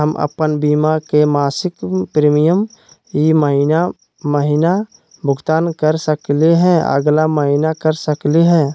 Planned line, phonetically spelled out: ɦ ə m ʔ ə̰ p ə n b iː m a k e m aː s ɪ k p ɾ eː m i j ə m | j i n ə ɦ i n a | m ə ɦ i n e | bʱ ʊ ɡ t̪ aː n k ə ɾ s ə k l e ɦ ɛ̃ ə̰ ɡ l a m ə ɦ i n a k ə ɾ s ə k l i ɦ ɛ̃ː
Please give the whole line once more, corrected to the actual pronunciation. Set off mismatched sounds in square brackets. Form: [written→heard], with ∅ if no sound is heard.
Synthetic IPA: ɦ ə m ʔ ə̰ p ə n b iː m a k e m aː s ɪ k p ɾ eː m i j ə m | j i [n→m] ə ɦ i n a | m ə ɦ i n [e→a] | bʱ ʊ ɡ t̪ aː n k ə ɾ s ə k l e ɦ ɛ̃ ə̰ ɡ l a m ə ɦ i n a k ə ɾ s ə k l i ɦ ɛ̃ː

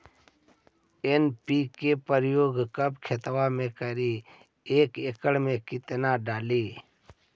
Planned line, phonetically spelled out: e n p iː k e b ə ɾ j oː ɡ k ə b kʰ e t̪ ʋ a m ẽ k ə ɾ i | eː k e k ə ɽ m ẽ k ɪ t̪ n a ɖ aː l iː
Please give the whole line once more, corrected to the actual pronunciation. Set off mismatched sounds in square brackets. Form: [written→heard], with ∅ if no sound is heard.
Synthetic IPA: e n p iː k e [b→p] ə ɾ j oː ɡ k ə b kʰ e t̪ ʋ a m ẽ k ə ɾ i | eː k e k ə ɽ m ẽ k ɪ t̪ n a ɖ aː l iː

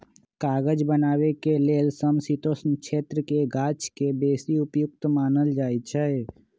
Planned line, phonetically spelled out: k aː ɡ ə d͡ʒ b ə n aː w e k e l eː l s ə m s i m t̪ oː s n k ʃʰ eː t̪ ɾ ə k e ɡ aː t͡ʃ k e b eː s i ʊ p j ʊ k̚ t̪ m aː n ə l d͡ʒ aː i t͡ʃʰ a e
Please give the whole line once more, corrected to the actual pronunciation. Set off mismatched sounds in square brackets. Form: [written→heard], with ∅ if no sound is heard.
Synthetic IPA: k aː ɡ ə d͡ʒ b ə n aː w e k e l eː l s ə m s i [m→∅] t̪ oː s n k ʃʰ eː t̪ ɾ ə k e ɡ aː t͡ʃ k e b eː s i ʊ p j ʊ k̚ t̪ m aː n ə l d͡ʒ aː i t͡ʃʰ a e

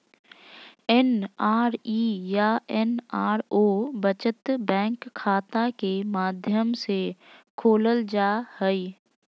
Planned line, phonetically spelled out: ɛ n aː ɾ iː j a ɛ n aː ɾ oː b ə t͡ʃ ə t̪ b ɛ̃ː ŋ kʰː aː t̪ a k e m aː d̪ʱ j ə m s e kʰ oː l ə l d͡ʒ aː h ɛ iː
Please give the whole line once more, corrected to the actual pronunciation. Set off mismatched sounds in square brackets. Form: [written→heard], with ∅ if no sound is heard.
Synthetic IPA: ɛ n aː ɾ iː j a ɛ n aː ɾ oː b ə t͡ʃ ə t̪ b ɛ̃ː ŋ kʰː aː t̪ a k e m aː d̪ʱ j ə m s e kʰ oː l ə l d͡ʒ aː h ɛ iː

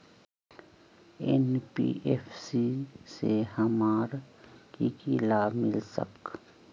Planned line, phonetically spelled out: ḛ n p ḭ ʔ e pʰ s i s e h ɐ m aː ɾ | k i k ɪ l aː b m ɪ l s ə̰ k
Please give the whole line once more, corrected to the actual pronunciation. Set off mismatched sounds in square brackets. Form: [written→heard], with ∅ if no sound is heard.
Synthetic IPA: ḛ n p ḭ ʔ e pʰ s i s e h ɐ m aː ɾ | k i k [ɪ→i] l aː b m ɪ l s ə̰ k

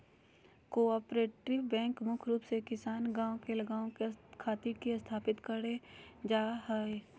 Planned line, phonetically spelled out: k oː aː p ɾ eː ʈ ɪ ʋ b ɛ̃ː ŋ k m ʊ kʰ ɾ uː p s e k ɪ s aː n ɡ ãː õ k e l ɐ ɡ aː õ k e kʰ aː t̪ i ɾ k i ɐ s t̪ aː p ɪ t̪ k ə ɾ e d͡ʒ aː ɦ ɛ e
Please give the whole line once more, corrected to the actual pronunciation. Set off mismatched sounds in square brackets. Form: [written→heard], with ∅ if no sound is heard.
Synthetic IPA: k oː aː p ɾ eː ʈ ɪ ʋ b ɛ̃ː ŋ k m ʊ kʰ ɾ uː p s e k ɪ s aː n ɡ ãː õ k e l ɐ ɡ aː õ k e kʰ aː t̪ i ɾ k i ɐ s [t̪→t̪ʰ] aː p ɪ t̪ k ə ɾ e d͡ʒ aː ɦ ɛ e

